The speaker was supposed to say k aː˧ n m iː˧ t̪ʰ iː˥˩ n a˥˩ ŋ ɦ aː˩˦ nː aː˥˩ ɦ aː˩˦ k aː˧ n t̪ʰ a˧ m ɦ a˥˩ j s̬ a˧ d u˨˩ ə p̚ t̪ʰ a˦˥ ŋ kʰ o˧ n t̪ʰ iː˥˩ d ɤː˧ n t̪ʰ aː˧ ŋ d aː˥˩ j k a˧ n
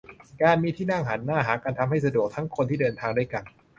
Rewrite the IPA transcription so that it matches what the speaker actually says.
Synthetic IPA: k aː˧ n m iː˧ t̪ʰ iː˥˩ n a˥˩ ŋ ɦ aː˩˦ nː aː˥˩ ɦ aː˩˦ k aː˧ n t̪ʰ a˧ m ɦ a˥˩ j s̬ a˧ d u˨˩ ə k̚ t̪ʰ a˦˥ ŋ kʰ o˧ n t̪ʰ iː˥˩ d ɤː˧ n t̪ʰ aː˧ ŋ d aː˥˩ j k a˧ n